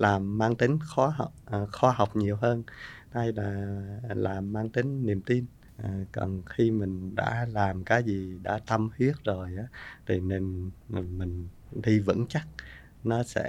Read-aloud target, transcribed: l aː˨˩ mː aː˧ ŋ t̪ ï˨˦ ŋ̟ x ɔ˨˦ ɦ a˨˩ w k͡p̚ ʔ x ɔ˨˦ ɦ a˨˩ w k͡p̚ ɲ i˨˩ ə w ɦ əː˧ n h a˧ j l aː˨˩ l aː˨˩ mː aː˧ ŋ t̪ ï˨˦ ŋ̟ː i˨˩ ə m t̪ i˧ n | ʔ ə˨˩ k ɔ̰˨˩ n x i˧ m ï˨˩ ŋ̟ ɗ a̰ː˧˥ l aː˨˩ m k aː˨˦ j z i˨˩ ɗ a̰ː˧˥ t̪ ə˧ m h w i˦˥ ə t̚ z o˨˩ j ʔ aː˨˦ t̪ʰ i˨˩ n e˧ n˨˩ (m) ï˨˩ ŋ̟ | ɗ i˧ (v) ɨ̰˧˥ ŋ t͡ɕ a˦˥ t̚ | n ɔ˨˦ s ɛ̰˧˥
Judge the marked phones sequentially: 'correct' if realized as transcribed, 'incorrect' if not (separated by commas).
correct, correct